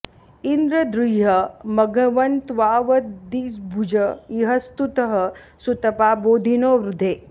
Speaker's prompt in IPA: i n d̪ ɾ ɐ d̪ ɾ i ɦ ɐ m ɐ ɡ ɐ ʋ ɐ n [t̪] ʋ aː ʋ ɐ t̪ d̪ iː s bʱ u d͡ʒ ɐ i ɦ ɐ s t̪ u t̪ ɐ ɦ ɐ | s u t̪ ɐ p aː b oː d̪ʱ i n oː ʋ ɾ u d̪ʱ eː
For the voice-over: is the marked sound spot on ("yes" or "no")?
yes